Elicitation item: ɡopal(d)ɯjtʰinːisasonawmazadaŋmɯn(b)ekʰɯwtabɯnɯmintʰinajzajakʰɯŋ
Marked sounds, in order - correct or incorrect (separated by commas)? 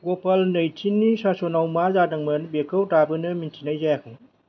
incorrect, correct